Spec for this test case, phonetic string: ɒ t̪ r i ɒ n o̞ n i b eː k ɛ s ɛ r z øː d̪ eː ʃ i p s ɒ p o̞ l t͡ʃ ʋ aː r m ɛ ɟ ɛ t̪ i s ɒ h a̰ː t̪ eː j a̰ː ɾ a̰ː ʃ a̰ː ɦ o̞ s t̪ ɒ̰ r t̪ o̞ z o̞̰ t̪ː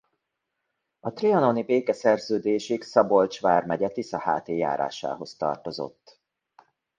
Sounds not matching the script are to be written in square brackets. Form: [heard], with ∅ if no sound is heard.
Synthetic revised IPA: ɒ t̪ r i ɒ n o̞ n i b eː k ɛ s ɛ r z øː d̪ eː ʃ i [k] s ɒ [b] o̞ l t͡ʃ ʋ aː r m ɛ ɟ ɛ t̪ i s ɒ h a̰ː t̪ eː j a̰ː ɾ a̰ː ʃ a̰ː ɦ o̞ s t̪ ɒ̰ r t̪ o̞ z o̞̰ t̪ː